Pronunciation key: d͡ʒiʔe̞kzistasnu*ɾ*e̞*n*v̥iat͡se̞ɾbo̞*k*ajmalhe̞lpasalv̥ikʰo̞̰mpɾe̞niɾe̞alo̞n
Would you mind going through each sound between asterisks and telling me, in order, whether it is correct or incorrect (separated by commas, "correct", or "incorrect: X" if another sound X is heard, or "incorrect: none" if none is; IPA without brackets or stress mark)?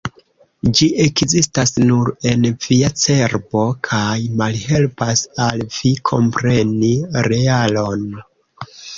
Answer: correct, correct, incorrect: kʰ